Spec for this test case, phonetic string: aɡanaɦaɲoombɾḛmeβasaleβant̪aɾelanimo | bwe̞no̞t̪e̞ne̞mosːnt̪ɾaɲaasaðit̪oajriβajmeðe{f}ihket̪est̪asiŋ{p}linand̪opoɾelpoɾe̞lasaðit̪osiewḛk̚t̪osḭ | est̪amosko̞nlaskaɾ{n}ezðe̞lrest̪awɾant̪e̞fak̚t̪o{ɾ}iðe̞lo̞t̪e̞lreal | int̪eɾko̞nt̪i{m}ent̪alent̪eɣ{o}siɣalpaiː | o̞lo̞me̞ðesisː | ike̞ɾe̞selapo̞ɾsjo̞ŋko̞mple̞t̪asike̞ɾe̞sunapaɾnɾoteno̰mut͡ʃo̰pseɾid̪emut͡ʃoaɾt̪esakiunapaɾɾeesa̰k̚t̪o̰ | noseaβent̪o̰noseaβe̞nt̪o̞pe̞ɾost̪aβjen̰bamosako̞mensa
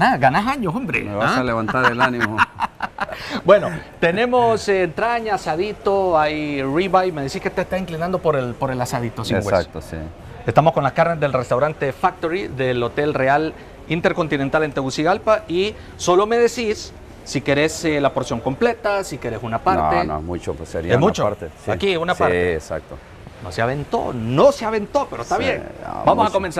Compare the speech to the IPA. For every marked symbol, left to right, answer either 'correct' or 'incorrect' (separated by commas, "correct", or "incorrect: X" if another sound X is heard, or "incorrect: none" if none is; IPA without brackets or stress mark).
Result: incorrect: s, incorrect: k, correct, correct, incorrect: n, incorrect: u